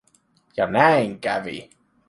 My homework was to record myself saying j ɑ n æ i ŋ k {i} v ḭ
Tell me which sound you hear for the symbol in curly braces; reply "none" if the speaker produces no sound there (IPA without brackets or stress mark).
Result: æ